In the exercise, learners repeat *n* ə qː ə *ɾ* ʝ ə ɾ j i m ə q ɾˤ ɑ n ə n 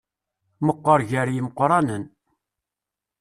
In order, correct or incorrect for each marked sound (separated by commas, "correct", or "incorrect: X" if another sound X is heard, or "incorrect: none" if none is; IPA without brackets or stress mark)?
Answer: incorrect: m, correct